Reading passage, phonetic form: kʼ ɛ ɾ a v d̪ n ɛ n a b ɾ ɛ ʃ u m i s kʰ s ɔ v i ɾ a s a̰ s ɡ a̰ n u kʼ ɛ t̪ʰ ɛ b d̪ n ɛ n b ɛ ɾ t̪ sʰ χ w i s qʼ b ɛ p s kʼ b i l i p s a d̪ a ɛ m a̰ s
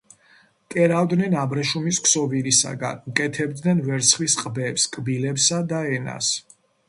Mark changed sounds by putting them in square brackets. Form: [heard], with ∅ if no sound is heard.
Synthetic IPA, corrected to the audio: kʼ ɛ ɾ a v d̪ n ɛ n a b ɾ ɛ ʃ u m i s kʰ s ɔ v i ɾ [i] s a̰ [∅] ɡ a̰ n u kʼ ɛ t̪ʰ ɛ b d̪ n ɛ n [v] ɛ ɾ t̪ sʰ χ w i s qʼ b ɛ p s kʼ b i l [ɛ] p s a d̪ a ɛ [n] a̰ s